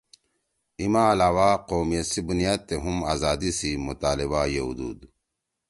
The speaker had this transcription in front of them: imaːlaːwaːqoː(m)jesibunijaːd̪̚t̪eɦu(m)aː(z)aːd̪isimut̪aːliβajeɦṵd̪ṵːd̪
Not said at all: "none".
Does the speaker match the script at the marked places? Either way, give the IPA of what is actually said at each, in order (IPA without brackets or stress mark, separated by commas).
m, m, z